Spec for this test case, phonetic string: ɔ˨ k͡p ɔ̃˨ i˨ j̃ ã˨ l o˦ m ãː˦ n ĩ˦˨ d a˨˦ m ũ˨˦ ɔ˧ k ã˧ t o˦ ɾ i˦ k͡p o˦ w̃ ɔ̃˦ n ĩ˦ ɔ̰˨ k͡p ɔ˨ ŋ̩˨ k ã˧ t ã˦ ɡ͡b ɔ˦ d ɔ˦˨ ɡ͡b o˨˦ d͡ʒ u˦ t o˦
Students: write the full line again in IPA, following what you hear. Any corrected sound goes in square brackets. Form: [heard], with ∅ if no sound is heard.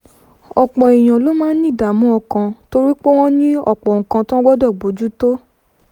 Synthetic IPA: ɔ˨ k͡p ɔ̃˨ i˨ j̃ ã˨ l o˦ m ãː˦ n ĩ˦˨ d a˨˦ m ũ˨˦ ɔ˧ k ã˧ t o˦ ɾ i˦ k͡p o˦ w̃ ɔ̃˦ n ĩ˦ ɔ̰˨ k͡p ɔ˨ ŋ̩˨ k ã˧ t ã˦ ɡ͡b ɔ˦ d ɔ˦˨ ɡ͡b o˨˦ d͡ʒ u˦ t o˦